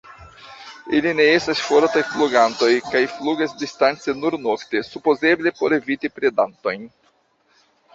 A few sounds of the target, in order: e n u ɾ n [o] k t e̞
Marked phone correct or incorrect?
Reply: correct